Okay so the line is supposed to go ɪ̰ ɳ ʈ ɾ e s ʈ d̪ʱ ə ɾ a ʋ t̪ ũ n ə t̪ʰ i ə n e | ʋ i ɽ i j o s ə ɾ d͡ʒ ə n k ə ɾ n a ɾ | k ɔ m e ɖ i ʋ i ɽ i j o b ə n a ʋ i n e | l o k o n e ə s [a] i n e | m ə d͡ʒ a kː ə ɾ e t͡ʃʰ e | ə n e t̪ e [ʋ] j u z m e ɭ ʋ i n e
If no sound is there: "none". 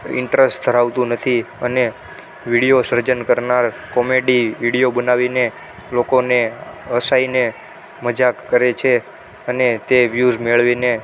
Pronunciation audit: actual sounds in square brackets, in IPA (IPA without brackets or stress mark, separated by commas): a, ʋ